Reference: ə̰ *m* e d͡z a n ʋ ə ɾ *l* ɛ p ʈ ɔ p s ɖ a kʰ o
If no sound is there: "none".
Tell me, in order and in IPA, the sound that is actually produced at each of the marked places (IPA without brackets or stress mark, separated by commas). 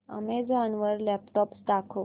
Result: m, l